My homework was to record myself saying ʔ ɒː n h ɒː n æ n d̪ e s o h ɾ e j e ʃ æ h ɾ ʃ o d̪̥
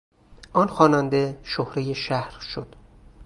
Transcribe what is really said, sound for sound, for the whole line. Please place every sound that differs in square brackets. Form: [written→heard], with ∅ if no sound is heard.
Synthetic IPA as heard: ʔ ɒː n [h→x] ɒː n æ n d̪ e [s→ʃ] o h ɾ e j e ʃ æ h ɾ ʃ o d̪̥